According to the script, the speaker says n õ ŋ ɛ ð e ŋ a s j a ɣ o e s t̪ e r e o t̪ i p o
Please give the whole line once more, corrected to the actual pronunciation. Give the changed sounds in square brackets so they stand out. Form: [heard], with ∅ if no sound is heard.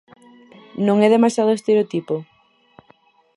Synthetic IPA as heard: n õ ŋ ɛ ð e [m] a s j a [ð] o e s t̪ e [ɾ] e o t̪ i p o